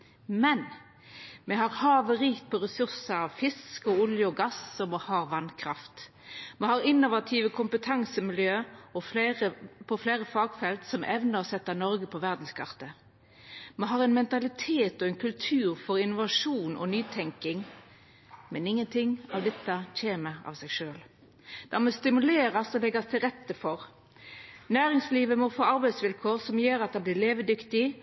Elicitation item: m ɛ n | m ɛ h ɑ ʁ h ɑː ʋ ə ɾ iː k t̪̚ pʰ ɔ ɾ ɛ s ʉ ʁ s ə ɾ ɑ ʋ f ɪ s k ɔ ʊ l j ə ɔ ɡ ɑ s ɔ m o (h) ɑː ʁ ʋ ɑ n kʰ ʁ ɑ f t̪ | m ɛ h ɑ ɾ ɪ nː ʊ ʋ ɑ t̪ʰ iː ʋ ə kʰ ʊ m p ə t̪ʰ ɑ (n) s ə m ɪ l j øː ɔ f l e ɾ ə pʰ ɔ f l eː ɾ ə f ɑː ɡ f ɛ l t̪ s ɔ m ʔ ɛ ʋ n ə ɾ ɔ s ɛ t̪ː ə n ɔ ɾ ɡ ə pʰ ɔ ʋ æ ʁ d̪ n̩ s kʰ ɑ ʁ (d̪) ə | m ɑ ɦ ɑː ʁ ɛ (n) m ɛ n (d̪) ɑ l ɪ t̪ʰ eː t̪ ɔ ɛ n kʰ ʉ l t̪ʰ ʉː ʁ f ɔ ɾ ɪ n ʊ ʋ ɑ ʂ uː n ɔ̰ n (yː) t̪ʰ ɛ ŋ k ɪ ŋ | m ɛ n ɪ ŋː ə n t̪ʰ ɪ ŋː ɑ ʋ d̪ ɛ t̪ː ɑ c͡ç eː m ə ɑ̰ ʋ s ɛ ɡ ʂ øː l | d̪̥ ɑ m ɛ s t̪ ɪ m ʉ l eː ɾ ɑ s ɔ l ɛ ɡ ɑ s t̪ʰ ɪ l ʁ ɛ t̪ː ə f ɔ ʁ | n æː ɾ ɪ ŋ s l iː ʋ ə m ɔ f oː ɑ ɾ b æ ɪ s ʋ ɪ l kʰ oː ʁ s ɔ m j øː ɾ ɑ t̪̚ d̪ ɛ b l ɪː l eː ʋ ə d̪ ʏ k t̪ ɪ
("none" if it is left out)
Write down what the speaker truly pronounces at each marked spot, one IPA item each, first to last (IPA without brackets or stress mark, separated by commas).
h, ŋ, t̪, n, t̪, yː